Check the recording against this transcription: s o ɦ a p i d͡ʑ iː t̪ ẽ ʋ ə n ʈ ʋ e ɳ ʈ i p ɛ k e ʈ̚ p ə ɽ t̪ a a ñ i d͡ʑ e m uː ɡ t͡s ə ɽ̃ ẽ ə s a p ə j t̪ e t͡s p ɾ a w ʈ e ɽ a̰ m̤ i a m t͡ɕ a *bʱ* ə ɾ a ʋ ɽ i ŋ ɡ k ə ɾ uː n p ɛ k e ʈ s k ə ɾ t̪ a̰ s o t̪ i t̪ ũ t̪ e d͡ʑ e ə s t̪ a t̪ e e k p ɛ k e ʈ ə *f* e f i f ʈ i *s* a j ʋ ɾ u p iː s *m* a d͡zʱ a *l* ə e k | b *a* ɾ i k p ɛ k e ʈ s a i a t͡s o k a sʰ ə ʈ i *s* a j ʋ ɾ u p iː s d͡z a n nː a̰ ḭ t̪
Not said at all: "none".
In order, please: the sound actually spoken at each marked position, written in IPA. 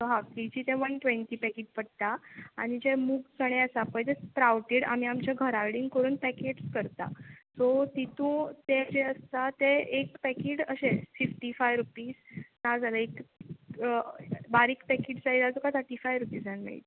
ɡʱ, ɕ, f, n, l, a, f

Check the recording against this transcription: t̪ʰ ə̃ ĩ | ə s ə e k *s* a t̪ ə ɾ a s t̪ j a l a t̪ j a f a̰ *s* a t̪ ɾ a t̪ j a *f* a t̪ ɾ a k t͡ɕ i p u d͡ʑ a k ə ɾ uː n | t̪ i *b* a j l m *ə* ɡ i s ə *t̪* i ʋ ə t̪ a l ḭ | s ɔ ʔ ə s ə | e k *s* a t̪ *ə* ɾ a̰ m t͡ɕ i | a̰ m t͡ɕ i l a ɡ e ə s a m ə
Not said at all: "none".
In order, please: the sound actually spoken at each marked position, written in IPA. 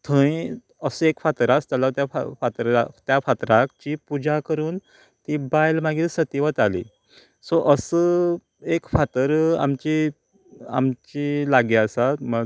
f, f, f, b, a, t̪, f, ə

